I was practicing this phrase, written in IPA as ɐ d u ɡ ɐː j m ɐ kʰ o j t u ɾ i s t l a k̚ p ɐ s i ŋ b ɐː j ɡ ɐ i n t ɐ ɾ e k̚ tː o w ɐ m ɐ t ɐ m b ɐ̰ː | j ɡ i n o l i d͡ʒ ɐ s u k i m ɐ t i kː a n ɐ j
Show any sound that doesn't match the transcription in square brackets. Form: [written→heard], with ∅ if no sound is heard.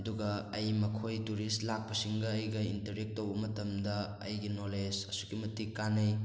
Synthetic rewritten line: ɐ d u ɡ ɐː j m ɐ kʰ o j t u ɾ i s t l a k̚ p ɐ s i ŋ [b→ɡ] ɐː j ɡ ɐ i n t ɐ ɾ e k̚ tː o w ɐ m ɐ t ɐ m [b→d] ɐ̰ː | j ɡ i n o l [i→e] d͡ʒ ɐ s u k i m ɐ t i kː a n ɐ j

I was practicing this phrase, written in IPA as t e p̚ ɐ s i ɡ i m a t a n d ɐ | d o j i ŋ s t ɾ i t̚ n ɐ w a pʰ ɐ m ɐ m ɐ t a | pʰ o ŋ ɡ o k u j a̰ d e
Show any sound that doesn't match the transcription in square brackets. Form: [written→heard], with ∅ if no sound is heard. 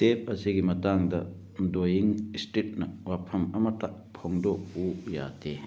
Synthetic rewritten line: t e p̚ ɐ s i ɡ i m [a→ɐ] t a [n→ŋ] d ɐ | d o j i ŋ s t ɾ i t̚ n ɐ w a pʰ ɐ m ɐ m ɐ t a | pʰ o ŋ [ɡ→d] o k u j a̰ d e

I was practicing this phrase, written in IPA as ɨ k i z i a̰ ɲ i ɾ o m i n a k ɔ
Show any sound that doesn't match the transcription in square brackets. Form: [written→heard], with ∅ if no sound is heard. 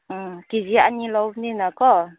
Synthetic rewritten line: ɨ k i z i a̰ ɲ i [ɾ→l] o [m→n] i n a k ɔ

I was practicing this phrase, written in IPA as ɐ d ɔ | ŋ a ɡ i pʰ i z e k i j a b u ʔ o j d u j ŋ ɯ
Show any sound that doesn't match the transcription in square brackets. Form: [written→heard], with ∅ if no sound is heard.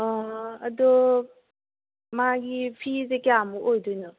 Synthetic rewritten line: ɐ d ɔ | [ŋ→m] a ɡ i pʰ i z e k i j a [b→m] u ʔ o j d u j [ŋ→n] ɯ

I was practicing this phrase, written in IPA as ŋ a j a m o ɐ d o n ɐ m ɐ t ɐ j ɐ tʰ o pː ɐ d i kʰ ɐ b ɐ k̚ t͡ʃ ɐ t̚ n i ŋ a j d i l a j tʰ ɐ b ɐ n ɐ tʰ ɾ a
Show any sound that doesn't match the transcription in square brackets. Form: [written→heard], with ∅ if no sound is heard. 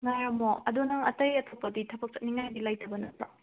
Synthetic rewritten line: ŋ a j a m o ɐ d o n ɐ [m→ŋ] ɐ t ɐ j ɐ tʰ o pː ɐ d i [kʰ→tʰ] ɐ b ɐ k̚ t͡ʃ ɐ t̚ n i ŋ a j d i l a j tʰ ɐ b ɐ n ɐ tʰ ɾ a

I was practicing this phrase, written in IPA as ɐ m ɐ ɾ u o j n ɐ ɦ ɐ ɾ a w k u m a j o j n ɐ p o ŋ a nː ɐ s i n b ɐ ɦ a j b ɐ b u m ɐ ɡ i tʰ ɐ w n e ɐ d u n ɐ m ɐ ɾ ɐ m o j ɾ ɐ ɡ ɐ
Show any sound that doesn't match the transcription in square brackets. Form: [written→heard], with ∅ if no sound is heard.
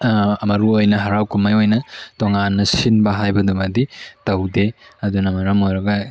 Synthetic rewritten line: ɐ m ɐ ɾ u o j n ɐ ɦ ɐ ɾ a w k u m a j o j n ɐ [p→t] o ŋ a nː ɐ s i n b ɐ ɦ a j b ɐ [b→d] u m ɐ [ɡ→d] i [tʰ→t] ɐ w [n→d] e ɐ d u n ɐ m ɐ ɾ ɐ m o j ɾ ɐ ɡ ɐ

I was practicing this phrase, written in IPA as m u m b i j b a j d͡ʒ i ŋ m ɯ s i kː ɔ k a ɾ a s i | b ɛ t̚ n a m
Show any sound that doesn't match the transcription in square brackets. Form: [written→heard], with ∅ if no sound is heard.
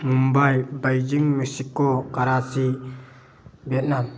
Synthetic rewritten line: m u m b [i→a] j b a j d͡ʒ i ŋ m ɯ s i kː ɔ k a ɾ a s i | b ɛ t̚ n a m

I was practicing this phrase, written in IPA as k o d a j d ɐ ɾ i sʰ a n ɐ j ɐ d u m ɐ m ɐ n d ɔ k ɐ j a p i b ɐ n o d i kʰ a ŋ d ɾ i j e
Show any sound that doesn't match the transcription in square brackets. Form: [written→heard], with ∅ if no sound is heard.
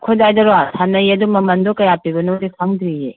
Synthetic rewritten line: [k→kʰ] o d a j d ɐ ɾ [i→a] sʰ a n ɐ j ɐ d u m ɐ m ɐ n d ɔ k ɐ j a p i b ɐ n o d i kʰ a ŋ d ɾ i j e

